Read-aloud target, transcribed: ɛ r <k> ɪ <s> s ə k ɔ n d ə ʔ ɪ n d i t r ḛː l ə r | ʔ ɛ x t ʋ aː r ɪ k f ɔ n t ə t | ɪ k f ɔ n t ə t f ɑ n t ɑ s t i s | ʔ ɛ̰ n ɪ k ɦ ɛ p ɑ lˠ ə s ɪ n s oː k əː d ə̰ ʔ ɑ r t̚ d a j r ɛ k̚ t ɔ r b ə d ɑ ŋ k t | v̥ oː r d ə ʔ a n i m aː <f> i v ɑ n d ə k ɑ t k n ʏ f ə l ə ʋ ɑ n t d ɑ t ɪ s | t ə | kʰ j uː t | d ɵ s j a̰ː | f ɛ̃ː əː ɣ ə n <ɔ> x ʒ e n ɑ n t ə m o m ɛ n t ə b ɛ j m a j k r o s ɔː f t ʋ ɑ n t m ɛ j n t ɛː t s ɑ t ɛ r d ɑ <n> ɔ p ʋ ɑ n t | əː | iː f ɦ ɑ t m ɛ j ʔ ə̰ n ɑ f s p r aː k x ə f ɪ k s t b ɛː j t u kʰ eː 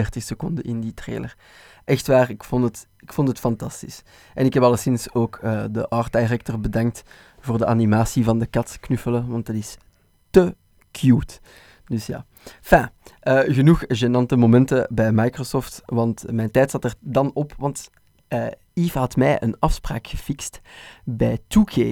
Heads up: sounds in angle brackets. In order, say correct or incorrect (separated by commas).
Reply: incorrect, incorrect, incorrect, incorrect, correct